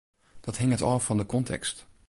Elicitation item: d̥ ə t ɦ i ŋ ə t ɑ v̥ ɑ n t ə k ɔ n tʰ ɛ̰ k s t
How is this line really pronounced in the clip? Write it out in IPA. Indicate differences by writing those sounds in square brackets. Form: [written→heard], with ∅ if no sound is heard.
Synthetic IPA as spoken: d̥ [ə→ɑ] t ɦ [i→ɪ] ŋ ə t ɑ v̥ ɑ n [t→d] ə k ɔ n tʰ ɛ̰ k s t